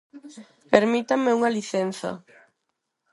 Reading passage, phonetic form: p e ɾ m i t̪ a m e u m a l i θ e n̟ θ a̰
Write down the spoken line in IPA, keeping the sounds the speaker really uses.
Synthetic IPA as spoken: p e ɾ m i t̪ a m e u ŋ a l i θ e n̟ θ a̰